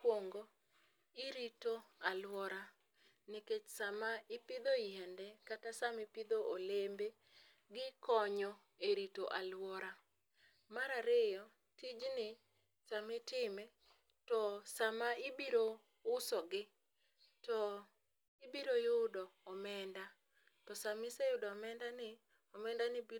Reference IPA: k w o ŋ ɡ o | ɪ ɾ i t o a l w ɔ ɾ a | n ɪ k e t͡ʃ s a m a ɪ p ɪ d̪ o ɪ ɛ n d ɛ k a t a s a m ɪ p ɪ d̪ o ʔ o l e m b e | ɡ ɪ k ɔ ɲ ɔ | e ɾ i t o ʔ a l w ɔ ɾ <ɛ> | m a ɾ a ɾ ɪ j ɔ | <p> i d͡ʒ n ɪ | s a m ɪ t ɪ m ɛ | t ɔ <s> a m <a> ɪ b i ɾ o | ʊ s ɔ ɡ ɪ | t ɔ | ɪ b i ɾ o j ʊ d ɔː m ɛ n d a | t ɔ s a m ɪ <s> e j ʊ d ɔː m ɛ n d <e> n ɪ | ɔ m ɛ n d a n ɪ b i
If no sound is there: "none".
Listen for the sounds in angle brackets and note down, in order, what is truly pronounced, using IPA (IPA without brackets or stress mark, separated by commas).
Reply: a, t, s, a, s, a